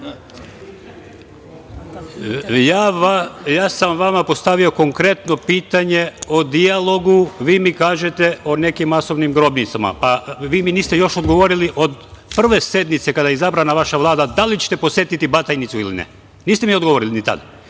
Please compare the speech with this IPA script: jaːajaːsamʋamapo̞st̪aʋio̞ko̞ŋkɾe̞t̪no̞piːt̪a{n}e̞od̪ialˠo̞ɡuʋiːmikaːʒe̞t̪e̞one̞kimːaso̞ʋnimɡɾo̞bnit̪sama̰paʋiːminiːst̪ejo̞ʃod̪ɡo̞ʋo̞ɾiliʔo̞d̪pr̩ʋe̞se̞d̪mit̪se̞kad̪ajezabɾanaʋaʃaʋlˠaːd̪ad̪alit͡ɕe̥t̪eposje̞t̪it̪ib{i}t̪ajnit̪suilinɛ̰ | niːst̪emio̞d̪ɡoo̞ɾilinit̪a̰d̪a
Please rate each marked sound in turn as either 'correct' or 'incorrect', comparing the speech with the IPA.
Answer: incorrect, incorrect

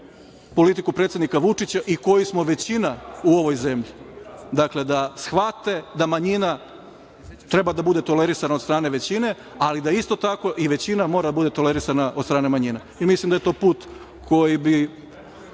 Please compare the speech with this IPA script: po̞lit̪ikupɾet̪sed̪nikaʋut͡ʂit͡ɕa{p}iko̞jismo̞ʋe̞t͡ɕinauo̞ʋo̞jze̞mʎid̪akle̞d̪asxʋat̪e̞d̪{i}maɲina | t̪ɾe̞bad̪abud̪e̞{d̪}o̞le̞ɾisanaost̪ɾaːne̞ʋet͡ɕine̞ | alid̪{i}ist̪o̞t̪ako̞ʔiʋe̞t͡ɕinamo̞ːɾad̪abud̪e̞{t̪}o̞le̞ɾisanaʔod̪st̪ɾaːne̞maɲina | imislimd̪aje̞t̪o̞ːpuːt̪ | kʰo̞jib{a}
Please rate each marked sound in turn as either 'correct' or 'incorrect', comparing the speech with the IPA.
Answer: incorrect, incorrect, incorrect, incorrect, correct, incorrect

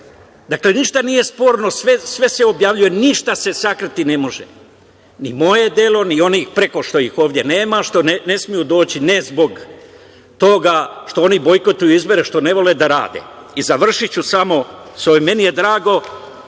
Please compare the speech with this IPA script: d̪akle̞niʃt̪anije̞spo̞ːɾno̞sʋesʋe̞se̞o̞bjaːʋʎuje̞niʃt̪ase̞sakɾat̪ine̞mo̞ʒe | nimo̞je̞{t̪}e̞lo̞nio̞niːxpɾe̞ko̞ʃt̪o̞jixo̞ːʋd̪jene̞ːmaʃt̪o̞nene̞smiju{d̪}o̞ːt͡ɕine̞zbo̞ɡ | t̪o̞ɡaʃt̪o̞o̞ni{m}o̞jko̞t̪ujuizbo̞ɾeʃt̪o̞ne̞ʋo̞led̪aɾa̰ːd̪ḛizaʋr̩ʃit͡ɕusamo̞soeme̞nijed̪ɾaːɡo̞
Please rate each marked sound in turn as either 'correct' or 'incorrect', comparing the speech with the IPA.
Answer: incorrect, correct, incorrect

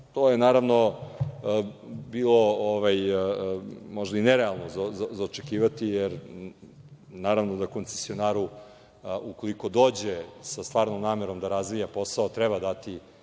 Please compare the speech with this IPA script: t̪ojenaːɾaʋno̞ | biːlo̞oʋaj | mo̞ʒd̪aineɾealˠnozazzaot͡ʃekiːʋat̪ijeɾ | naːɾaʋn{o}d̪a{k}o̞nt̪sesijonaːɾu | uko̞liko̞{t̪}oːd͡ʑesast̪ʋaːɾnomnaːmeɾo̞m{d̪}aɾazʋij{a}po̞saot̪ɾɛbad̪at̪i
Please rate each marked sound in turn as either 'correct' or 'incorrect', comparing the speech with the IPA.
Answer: correct, correct, incorrect, correct, correct

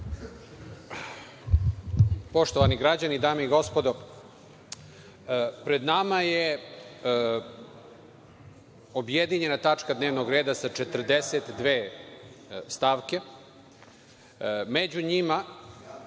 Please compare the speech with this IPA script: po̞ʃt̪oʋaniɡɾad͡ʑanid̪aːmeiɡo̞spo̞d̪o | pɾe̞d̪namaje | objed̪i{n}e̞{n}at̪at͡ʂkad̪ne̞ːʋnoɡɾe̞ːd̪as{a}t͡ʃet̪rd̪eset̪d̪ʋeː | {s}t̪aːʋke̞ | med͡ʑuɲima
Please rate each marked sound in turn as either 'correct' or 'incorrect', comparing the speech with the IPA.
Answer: incorrect, correct, correct, correct

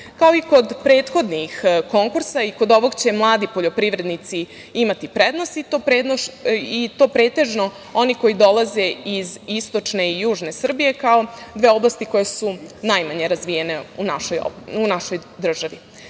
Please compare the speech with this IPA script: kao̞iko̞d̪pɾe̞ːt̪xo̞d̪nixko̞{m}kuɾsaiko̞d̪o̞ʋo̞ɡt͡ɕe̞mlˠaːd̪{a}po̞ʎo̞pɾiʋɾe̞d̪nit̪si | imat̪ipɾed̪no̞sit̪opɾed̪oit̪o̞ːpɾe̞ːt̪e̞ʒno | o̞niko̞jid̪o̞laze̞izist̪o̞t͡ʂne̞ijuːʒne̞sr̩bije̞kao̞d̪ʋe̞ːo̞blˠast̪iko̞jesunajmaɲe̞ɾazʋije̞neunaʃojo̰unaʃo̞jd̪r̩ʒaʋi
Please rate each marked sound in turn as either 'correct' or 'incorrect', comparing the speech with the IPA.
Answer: incorrect, incorrect

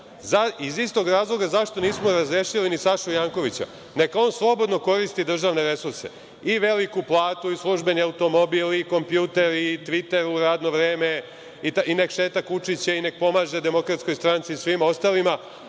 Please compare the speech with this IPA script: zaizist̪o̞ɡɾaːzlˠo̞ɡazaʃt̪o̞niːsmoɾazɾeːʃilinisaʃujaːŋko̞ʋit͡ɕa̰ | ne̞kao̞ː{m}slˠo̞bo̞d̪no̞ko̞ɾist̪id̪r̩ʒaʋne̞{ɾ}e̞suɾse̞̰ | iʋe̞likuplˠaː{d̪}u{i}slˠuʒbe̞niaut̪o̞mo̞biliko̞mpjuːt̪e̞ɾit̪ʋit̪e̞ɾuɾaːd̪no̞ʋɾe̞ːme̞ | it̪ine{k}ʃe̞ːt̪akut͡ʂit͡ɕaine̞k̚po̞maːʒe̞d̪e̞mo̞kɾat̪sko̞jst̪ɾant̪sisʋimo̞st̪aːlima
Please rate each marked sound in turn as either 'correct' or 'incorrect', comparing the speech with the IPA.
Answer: incorrect, correct, incorrect, correct, correct

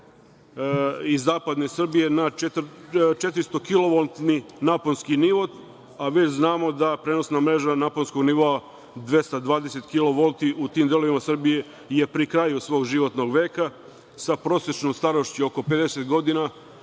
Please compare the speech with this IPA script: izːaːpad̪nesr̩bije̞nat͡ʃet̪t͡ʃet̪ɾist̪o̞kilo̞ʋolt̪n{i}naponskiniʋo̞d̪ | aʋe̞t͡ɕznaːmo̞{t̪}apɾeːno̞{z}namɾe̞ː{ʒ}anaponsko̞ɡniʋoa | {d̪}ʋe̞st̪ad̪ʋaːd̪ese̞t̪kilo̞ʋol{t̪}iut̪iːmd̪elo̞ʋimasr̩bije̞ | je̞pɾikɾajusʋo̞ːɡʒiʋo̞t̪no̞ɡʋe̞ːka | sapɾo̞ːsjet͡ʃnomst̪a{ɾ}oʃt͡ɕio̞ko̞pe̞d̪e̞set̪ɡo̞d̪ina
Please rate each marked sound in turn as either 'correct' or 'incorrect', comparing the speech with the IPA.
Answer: correct, incorrect, incorrect, correct, correct, correct, correct

